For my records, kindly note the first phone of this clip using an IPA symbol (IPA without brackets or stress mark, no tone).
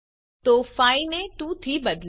t̪